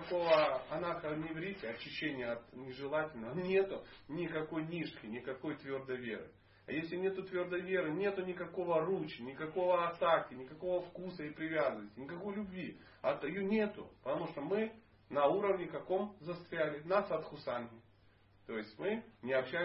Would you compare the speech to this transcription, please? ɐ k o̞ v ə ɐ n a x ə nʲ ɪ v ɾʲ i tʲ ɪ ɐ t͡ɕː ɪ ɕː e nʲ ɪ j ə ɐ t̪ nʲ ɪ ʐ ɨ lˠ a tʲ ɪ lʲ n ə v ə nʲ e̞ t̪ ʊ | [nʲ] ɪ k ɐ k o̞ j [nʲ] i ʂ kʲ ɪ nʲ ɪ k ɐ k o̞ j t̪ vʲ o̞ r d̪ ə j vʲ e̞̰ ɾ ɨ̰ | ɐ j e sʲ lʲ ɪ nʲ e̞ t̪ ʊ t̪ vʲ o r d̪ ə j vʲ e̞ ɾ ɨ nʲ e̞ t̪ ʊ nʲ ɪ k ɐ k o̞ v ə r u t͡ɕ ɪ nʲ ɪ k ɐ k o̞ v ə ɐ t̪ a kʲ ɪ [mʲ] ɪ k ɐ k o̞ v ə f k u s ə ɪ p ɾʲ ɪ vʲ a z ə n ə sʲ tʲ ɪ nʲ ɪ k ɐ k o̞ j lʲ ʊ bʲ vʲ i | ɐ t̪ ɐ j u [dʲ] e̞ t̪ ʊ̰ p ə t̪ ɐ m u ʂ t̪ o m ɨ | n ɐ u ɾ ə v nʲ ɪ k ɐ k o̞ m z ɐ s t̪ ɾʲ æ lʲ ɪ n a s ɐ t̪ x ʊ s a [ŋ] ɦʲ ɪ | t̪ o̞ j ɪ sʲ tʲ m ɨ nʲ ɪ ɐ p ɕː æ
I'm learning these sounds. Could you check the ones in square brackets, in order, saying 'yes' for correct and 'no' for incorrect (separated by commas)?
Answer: yes, yes, no, no, no